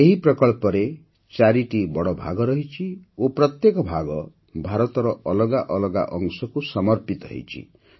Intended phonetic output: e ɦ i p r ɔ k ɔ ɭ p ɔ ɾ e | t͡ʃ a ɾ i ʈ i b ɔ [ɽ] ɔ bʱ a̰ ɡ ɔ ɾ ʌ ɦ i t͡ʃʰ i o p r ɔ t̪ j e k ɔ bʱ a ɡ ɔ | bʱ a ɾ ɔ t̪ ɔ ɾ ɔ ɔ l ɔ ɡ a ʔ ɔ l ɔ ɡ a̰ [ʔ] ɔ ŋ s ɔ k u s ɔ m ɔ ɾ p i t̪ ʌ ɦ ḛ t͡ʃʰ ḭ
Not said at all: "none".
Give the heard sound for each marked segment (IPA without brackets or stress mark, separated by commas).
ɽ, ʔ